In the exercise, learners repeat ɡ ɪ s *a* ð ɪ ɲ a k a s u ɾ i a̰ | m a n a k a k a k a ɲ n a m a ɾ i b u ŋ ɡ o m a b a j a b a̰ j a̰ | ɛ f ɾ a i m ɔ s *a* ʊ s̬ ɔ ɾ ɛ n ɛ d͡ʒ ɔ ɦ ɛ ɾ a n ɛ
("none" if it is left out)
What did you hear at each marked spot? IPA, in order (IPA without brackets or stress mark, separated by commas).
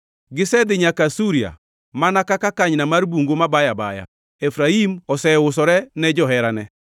ɛ, ɛ